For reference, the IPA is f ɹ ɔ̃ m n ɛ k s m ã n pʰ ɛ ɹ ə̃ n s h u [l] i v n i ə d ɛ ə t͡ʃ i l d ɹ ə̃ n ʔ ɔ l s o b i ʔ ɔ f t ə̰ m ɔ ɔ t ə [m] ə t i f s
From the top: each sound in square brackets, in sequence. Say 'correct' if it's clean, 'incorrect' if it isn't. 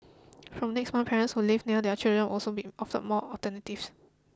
correct, incorrect: n

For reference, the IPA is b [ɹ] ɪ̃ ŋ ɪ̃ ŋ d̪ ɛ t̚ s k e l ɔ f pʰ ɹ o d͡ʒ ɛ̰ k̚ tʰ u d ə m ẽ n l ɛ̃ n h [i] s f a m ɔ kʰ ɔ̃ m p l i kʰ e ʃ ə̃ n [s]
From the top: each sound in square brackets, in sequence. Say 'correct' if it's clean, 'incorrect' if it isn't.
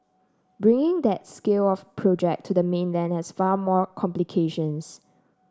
correct, incorrect: ɛ, correct

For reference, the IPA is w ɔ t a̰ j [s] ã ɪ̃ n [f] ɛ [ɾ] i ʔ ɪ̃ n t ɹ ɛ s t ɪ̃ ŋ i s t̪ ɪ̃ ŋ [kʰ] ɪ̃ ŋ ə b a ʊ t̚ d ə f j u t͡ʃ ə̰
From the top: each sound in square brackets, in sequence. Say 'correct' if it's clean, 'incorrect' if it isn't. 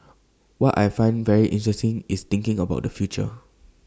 incorrect: f, incorrect: v, incorrect: ɹ, incorrect: k

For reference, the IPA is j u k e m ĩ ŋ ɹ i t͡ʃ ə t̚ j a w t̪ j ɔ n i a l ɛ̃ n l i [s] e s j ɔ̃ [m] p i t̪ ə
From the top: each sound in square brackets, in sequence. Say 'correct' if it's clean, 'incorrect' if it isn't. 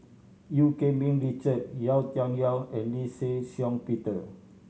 correct, incorrect: ŋ

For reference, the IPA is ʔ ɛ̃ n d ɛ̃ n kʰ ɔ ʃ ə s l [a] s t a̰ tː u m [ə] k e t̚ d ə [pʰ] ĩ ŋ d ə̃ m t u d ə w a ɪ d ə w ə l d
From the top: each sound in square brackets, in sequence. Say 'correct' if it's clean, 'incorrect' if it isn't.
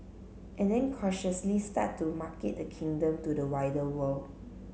incorrect: i, incorrect: a, incorrect: kʰ

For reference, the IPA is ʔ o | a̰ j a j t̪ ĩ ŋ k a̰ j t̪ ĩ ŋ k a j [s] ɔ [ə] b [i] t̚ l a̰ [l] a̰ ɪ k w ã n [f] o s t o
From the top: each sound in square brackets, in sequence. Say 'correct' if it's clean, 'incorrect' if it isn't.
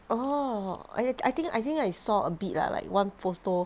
correct, correct, correct, correct, correct

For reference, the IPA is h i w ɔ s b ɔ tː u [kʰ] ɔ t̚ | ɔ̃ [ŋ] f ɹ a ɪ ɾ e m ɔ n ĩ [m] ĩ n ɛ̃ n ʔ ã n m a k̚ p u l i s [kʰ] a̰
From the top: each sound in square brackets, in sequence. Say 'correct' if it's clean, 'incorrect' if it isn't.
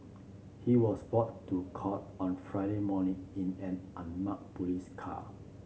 correct, incorrect: n, incorrect: ŋ, correct

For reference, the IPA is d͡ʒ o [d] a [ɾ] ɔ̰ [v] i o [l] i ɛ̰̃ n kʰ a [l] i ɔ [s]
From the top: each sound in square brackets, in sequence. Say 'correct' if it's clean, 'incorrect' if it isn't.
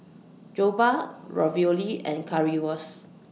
incorrect: b, incorrect: ɹ, correct, correct, incorrect: ɹ, correct

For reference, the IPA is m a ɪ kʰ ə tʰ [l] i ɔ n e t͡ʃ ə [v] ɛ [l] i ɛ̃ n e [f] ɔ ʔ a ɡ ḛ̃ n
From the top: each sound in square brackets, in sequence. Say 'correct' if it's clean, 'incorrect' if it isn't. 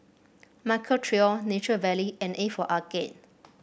incorrect: ɹ, correct, correct, correct

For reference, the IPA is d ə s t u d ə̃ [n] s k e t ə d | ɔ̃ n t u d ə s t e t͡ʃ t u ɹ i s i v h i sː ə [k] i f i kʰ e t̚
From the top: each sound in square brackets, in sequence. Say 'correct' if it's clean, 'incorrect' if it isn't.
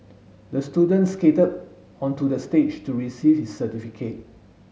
correct, incorrect: t

